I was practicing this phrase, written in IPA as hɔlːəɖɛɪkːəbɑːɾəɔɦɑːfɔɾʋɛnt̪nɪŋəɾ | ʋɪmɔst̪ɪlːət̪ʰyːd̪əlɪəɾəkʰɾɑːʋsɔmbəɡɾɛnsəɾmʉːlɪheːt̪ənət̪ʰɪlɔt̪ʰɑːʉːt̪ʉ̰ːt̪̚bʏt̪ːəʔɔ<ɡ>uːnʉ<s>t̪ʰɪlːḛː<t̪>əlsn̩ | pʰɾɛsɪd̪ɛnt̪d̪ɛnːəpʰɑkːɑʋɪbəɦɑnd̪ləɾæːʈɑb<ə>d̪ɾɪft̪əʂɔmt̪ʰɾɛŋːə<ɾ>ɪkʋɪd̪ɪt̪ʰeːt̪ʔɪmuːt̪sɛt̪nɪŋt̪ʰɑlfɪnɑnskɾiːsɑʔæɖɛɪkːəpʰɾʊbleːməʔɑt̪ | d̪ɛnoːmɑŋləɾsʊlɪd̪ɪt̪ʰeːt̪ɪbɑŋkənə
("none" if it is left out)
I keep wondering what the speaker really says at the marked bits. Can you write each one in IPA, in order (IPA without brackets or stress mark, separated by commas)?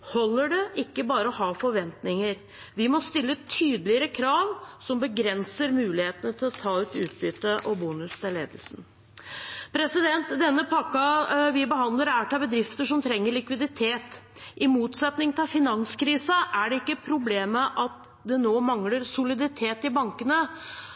b, s, d̪, ə, ɭ